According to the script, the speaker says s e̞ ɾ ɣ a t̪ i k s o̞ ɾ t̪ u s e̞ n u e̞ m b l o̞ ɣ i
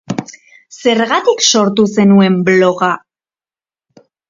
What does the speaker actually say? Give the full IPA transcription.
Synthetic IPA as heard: s e̞ ɾ ɣ a t̪ i k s o̞ ɾ t̪ u s e̞ n u e̞ m b l o̞ ɣ a